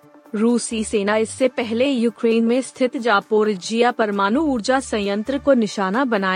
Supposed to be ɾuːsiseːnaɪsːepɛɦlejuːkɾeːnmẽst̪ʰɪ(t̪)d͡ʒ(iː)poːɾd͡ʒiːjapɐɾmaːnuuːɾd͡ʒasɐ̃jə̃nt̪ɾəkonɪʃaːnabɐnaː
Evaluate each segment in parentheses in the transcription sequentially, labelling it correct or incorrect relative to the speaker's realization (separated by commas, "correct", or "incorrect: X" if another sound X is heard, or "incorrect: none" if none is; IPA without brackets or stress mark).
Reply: correct, incorrect: aː